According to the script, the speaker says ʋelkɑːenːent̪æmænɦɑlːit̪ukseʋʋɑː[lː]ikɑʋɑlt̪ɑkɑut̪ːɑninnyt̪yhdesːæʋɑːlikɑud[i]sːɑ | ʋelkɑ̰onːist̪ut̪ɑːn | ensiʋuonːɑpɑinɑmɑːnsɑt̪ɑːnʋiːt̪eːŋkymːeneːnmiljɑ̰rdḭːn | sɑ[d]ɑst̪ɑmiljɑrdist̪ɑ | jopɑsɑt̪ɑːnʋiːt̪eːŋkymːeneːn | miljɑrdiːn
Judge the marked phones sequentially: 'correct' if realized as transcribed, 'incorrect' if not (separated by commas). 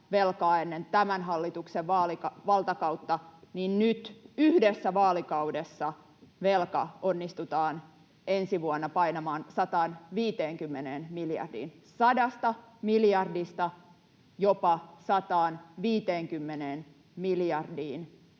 incorrect, incorrect, correct